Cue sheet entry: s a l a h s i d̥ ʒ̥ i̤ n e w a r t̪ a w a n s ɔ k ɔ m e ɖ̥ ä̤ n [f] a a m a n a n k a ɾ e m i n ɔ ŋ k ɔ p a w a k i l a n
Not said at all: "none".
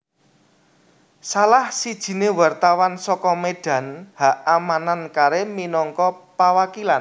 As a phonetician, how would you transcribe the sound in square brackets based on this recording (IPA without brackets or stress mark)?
h